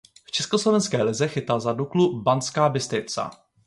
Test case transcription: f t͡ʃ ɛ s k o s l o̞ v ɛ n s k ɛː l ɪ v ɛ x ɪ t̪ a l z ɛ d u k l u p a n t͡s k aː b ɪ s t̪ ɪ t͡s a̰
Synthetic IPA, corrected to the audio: f t͡ʃ ɛ s k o s l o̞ v ɛ n s k ɛː l ɪ z ɛ x ɪ t̪ a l z a d u k l u b a n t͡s k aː b ɪ s t̪ ɪ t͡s a̰